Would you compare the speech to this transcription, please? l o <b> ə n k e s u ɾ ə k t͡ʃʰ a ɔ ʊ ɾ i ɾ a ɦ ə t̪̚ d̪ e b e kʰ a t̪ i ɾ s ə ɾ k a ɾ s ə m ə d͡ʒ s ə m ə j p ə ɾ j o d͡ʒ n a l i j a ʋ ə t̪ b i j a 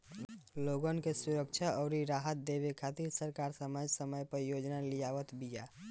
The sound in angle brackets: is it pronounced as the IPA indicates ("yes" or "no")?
no